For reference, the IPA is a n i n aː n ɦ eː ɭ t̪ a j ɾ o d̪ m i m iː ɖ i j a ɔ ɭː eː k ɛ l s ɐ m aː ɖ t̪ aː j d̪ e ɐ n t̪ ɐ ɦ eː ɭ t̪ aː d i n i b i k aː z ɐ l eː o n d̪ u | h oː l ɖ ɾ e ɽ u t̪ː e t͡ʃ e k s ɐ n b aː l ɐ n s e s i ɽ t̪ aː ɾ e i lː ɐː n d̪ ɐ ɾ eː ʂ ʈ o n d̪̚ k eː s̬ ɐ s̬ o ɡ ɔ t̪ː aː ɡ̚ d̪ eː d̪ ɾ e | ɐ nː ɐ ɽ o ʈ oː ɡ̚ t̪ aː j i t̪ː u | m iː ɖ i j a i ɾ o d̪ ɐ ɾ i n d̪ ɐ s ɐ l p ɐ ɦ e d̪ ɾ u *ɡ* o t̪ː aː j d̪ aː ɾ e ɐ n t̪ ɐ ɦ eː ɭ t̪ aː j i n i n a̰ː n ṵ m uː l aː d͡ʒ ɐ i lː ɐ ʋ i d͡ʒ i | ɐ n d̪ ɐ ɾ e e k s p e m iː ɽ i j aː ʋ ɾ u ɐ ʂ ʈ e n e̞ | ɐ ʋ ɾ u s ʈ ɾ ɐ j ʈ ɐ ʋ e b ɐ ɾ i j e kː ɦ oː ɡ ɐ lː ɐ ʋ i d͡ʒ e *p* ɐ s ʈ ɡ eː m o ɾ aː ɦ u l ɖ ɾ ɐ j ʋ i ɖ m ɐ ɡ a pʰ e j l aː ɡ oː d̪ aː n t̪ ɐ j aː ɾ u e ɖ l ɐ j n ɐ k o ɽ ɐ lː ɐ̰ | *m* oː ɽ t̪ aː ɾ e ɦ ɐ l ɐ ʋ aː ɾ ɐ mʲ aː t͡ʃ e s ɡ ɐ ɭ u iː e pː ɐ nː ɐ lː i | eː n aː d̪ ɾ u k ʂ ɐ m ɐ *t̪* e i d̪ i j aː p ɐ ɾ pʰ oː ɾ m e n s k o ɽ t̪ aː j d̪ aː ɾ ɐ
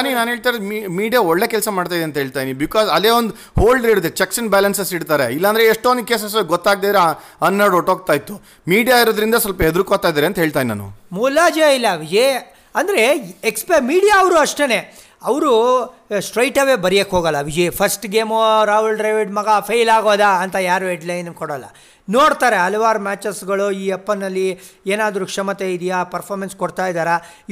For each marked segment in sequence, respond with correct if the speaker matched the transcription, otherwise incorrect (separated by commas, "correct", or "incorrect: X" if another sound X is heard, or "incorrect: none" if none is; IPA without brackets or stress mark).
incorrect: k, incorrect: pʰ, incorrect: n, correct